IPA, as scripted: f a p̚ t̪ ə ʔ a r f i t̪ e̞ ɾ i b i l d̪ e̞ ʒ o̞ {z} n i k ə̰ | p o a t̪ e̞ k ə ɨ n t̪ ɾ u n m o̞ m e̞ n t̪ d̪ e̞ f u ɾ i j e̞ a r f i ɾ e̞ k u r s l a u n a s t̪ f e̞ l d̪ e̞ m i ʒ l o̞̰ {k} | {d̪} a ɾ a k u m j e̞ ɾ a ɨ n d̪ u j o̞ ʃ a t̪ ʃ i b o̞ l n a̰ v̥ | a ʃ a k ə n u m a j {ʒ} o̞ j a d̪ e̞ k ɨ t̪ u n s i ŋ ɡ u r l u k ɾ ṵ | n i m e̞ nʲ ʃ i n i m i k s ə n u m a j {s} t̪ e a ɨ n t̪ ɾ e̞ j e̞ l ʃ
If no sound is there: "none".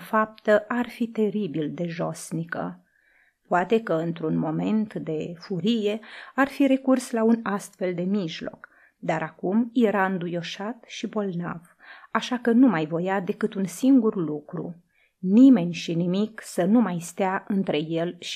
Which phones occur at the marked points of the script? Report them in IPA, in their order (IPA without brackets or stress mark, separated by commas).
s, k, d̪, v, s